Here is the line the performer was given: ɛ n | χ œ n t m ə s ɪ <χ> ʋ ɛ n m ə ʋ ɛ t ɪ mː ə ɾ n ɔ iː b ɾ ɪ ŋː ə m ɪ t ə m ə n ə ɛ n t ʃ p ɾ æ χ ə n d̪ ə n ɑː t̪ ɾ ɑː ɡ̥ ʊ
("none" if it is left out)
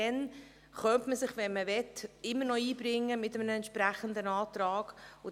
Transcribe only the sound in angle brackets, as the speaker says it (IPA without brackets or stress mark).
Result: χ